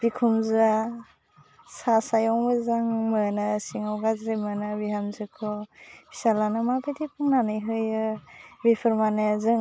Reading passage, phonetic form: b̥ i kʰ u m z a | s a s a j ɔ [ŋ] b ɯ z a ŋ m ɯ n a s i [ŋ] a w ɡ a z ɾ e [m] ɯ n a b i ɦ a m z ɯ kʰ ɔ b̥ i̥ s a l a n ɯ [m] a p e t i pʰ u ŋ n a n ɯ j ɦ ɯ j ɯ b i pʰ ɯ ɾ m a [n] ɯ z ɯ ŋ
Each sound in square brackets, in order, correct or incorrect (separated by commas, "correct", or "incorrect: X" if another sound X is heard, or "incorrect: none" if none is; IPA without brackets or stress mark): correct, correct, correct, correct, correct